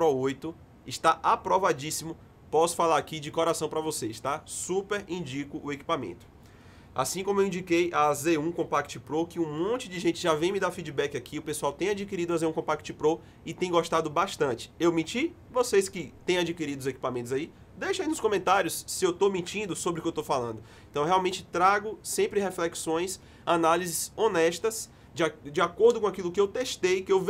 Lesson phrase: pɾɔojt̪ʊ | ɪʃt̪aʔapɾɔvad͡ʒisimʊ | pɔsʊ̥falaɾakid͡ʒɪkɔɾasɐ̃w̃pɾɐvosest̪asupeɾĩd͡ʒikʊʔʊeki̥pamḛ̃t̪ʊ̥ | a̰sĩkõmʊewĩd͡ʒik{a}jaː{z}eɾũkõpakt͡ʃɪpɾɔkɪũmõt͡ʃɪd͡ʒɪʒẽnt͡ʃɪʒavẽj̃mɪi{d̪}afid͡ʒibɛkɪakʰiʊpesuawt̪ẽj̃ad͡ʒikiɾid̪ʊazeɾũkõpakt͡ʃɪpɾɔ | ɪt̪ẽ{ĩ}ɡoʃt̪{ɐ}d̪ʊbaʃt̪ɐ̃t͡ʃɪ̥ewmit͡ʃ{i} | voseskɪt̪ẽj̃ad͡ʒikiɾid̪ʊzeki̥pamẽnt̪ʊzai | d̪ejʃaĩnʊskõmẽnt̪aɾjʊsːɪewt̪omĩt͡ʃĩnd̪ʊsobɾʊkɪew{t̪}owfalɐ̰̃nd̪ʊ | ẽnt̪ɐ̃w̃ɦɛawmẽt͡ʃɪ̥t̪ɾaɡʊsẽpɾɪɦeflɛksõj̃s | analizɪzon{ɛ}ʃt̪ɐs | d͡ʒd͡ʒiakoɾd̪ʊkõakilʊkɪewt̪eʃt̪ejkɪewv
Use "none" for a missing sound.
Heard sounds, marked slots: e, z, d̪, j̃, a, i, t̪, ɛ

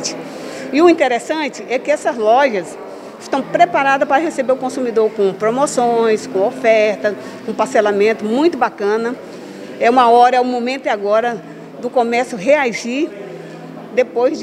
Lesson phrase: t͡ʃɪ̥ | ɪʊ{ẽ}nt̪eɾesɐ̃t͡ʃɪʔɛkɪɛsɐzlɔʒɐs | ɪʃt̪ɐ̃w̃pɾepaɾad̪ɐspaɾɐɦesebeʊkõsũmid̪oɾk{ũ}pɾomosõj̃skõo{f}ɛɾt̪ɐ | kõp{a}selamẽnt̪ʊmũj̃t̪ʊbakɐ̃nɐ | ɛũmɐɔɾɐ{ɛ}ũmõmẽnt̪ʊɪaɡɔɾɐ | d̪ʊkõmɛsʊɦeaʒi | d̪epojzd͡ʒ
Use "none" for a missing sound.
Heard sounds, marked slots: ĩ, õ, f, a, ɛ

